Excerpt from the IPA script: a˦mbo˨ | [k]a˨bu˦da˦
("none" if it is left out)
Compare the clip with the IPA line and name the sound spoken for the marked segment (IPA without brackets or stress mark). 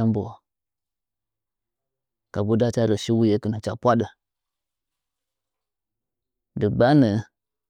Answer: k